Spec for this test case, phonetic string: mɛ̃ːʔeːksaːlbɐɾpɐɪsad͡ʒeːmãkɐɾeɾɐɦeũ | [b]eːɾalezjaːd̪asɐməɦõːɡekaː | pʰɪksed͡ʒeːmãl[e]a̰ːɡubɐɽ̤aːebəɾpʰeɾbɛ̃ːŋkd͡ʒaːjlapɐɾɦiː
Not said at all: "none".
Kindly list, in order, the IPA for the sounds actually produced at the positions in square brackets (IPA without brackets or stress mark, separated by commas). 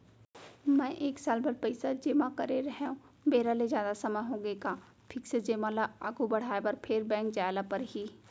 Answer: b, a